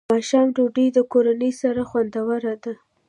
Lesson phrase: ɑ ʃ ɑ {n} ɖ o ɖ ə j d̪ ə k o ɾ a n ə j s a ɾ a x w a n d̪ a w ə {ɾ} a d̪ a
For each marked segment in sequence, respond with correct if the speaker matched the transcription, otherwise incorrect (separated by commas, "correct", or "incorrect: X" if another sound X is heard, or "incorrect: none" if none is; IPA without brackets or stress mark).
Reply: incorrect: m, correct